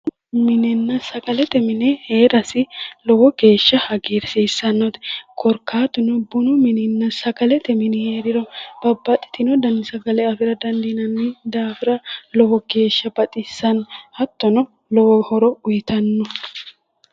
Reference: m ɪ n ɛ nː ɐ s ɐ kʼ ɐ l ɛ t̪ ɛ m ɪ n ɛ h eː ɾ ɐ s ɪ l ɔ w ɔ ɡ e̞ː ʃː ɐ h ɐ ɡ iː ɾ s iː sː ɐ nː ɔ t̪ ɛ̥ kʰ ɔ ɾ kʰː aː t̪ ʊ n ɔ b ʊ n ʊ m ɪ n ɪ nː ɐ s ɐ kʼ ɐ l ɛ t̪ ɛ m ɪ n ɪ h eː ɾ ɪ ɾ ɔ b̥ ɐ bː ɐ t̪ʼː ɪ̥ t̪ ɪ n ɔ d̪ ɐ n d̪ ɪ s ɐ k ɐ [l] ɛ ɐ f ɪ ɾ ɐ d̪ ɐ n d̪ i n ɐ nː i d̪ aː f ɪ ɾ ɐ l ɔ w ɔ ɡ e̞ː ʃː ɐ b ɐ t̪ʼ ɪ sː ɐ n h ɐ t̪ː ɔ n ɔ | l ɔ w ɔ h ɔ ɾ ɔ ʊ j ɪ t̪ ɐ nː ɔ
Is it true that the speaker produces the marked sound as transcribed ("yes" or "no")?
yes